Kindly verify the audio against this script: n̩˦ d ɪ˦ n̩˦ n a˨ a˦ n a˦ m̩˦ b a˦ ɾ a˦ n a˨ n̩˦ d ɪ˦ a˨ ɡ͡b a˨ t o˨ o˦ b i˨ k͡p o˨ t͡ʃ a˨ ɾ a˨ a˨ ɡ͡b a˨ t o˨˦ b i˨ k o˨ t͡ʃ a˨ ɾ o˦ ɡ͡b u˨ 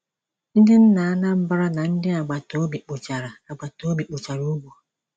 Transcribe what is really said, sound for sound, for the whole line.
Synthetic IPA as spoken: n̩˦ d ɪ˦ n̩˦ n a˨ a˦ n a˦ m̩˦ b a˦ ɾ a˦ n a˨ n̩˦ d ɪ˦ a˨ ɡ͡b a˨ t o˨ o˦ b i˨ k͡p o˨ t͡ʃ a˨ ɾ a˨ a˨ ɡ͡b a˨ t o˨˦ b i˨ k͡p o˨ t͡ʃ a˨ ɾ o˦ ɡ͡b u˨